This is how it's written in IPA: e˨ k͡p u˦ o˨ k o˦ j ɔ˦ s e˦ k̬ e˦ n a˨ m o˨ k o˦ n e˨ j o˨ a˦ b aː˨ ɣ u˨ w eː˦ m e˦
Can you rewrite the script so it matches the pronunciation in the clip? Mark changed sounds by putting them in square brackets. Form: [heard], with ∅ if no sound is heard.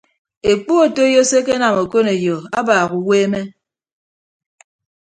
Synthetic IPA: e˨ k͡p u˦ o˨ [t] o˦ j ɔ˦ s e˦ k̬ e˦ n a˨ m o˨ k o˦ n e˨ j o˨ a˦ b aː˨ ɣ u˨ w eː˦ m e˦